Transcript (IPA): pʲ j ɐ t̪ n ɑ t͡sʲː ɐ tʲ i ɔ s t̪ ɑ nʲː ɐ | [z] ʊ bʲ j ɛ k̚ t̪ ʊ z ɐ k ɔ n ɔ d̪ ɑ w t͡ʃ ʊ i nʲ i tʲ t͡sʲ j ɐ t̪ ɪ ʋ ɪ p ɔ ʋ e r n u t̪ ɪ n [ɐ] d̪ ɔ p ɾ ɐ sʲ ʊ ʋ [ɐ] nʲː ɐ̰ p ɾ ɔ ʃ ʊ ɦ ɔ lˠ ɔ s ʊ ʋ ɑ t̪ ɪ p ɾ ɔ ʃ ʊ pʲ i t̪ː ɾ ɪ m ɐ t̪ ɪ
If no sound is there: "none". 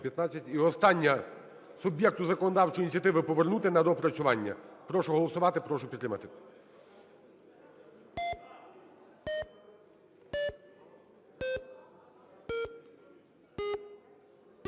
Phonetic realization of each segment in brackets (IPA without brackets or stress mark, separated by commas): s, ɐ, ɑ